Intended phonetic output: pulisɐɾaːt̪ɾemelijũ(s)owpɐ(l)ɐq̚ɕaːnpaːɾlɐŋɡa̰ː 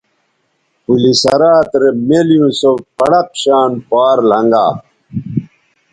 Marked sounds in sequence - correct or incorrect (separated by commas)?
correct, incorrect